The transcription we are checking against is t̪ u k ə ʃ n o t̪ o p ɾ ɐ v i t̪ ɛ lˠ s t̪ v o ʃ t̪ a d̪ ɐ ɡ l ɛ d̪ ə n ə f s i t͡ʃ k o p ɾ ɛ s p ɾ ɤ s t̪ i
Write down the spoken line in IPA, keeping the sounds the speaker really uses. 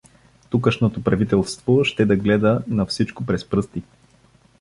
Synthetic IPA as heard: t̪ u k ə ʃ n o t̪ o p ɾ ɐ v i t̪ ɛ lˠ s t̪ v o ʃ t̪ ɛ d̪ ɐ ɡ l ɛ d̪ ə n ɐ f s i t͡ʃ k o p ɾ ɛ s p ɾ ɤ s t̪ i

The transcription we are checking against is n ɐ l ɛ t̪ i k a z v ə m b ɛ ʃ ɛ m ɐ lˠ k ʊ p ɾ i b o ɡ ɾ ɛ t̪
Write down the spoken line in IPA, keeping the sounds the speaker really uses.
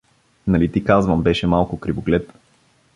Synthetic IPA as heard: n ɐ l i t̪ i k a z v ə m b ɛ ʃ ɛ m a lˠ k ʊ k ɾ i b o ɡ l ɛ t̪

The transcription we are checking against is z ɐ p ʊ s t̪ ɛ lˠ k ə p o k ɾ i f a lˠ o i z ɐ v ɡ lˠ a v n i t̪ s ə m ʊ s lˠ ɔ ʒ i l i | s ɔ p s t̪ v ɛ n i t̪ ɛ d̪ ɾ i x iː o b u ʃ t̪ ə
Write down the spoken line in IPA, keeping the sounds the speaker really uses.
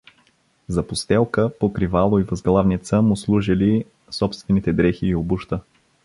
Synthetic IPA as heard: z ɐ p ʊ s t̪ ɛ lˠ k ə p o k ɾ i v a lˠ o i v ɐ z ɡ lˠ a v n i t̪ s ə m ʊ s lˠ u ʒ i l i | s ɔ p s t̪ v ɛ n i t̪ ɛ d̪ ɾ ɛ x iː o b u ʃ t̪ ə

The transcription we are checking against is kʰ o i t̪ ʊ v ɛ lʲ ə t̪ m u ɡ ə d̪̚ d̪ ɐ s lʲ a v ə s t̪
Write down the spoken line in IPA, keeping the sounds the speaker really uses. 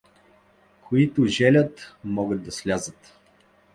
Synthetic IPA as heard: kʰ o i t̪ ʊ ʒ ɛ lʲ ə t̪ m ɔ ɡ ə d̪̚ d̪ ɐ s lʲ a z ə t̪

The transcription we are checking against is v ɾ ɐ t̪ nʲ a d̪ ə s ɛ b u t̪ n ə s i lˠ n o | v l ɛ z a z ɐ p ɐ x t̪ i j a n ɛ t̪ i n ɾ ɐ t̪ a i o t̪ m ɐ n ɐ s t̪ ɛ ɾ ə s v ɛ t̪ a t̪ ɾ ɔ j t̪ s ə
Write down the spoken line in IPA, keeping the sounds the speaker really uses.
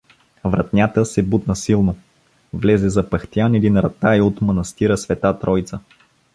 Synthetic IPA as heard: v ɾ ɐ t̪ nʲ a t̪ ə s ɛ b u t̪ n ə s i lˠ n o | v l ɛ z ɛ z ɐ p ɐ x t̪ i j a n ɛ d̪ i n ɾ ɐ t̪ a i o t̪ m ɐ n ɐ s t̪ i ɾ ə s v ɛ t̪ a t̪ ɾ ɔ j t̪ s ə

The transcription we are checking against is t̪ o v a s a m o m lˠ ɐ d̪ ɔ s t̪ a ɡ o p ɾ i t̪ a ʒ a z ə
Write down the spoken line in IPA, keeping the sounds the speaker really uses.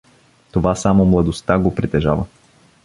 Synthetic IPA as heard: t̪ o v a s a m o m lˠ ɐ d̪ o s t̪ a ɡ o p ɾ i t̪ ɛ ʒ a v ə

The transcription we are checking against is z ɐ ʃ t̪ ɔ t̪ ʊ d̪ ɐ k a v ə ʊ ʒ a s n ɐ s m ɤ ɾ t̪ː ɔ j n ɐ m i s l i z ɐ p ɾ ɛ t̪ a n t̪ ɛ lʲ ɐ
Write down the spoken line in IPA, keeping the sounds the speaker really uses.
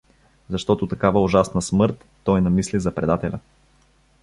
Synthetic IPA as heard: z ɐ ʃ t̪ ɔ t̪ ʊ t̪ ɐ k a v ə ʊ ʒ a s n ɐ s m ɤ ɾ t̪ː ɔ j n ɐ m i s l i z ɐ p ɾ ɛ d̪ a t̪ ɛ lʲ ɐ

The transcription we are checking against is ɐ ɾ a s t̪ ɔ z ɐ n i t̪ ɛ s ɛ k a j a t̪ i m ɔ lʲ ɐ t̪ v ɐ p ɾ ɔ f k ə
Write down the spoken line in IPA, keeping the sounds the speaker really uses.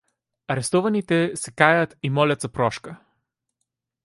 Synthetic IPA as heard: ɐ ɾ ɛ s t̪ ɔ v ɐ n i t̪ ɛ s ɛ k a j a t̪ i m ɔ lʲ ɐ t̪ z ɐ p ɾ ɔ ʃ k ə

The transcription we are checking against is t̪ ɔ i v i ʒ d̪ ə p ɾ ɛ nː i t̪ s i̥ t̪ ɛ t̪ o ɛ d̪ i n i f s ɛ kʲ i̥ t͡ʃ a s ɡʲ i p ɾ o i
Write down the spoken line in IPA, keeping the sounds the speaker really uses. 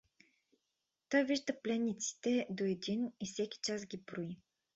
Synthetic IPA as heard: t̪ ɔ j v i ʒ d̪ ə p l ɛ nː i t̪ s i̥ t̪ ɛ d̪ o ɛ d̪ i n i f s ɛ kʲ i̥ t͡ʃ a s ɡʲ i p ɾ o i

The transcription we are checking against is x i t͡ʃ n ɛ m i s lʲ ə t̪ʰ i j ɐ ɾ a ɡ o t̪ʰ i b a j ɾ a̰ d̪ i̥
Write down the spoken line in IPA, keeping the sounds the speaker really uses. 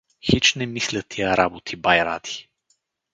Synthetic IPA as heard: x i t͡ʃ n ɛ m i s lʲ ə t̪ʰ i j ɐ ɾ a b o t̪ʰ i b a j ɾ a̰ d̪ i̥

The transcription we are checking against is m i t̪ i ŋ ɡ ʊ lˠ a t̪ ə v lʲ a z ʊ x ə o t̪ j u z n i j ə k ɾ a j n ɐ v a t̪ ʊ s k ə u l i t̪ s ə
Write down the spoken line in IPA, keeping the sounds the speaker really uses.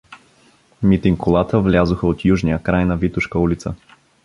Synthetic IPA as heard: m i t̪ i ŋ k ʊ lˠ a t̪ ə v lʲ a z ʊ x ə o t̪ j u ʒ n i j ə k ɾ a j n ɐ v i t̪ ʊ ʃ k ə u l i t̪ s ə

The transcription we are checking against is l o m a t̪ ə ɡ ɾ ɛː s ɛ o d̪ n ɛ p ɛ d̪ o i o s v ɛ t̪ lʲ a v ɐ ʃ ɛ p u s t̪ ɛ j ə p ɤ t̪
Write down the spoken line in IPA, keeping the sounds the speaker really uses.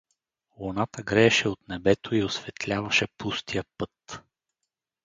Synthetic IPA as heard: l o n a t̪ ə ɡ ɾ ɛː ʃ ɛ o t̪ n ɛ b ɛ t̪ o i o s v ɛ t̪ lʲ a v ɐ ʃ ɛ p u s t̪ i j ə p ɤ t̪

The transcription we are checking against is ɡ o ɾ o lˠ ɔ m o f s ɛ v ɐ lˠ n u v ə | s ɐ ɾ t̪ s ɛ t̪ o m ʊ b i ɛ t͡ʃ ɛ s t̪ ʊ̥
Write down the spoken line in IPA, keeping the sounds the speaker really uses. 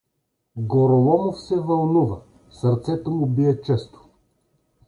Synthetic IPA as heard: ɡ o ɾ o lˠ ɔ m o f s ɛ v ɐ lˠ n u v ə | s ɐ ɾ t̪ s ɛ t̪ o m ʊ b i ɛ t͡ʃ ɛ s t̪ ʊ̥

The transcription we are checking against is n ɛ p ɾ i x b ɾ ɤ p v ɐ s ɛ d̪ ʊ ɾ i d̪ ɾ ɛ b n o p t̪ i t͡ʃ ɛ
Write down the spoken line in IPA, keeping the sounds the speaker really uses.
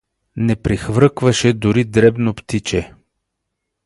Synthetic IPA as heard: n ɛ p ɾ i x v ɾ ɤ k v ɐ ʃ ɛ d̪ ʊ ɾ i d̪ ɾ ɛ b n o p t̪ i t͡ʃ ɛ

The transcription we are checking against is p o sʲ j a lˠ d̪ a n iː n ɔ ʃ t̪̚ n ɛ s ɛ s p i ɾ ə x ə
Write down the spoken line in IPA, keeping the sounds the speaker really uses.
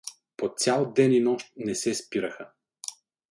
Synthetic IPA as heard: p o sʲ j a lˠ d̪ ɛ n i n ɔ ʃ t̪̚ n ɛ s ɛ s p i ɾ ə x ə

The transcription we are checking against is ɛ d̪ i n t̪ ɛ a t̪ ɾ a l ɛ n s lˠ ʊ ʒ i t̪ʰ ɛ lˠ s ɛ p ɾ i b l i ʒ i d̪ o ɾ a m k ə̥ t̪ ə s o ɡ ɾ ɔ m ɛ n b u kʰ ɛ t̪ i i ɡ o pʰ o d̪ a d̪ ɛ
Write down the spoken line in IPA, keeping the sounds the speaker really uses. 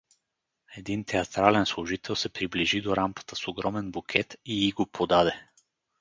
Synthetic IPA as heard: ɛ d̪ i n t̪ ɛ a t̪ ɾ a l ɛ n s lˠ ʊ ʒ i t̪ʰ ɛ lˠ s ɛ p ɾ i b l i ʒ i d̪ o ɾ a m k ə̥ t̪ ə s o ɡ ɾ ɔ m ɛ n b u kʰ ɛ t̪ i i ɡ o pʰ o d̪ a d̪ ɛ

